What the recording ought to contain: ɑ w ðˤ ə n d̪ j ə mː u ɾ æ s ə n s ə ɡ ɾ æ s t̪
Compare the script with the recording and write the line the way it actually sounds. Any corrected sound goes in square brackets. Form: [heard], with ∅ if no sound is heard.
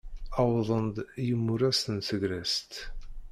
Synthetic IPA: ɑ w ðˤ ə n d̪ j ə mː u ɾ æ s ə n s ə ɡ ɾ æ s t̪